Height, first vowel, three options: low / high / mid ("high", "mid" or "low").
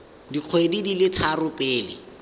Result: high